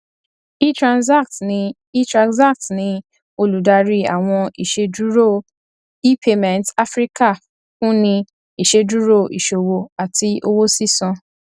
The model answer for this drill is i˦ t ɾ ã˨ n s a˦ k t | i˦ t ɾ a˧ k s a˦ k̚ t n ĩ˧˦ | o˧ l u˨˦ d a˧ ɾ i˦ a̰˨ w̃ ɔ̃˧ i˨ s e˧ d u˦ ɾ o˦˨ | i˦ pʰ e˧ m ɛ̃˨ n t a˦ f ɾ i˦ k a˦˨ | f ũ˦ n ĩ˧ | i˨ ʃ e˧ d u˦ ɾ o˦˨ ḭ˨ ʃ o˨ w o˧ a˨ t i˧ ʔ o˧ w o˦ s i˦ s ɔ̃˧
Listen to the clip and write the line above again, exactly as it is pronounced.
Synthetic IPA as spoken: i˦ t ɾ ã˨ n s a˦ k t | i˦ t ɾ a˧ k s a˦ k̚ t n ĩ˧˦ | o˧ l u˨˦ d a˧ ɾ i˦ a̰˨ w̃ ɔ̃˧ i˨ ʃ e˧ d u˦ ɾ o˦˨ | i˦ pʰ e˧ m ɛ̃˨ n t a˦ f ɾ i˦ k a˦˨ | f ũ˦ n ĩ˧ | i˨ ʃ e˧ d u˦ ɾ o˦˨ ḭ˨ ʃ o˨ w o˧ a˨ t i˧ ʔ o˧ w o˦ s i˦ s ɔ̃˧